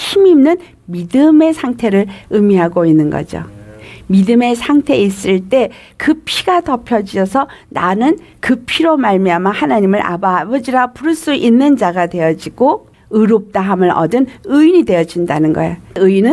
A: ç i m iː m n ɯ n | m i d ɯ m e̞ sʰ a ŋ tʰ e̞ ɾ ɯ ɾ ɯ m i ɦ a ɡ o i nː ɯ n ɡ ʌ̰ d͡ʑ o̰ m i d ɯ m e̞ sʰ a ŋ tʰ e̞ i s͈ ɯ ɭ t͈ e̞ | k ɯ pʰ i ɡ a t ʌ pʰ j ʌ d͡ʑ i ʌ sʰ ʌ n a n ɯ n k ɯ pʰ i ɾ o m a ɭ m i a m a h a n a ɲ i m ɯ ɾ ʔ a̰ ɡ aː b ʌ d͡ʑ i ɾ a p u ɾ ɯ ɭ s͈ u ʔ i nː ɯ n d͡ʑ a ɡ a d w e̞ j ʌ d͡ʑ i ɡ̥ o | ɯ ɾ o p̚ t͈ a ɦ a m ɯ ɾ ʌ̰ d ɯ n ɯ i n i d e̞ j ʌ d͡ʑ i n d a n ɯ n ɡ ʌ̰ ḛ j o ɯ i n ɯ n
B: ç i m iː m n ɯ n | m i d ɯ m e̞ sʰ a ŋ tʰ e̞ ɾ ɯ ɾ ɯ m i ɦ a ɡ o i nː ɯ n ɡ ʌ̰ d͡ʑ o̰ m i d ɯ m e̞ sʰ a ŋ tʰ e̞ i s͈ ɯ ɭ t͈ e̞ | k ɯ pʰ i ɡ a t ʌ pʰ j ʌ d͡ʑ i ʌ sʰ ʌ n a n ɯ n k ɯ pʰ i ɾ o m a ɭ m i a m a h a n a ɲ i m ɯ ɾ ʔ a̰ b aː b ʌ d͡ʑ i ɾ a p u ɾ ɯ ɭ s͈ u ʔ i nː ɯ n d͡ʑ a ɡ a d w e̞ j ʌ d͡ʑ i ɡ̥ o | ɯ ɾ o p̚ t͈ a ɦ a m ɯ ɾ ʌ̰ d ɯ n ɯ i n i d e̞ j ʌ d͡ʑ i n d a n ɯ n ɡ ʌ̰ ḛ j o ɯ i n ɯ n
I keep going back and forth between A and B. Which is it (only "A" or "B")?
B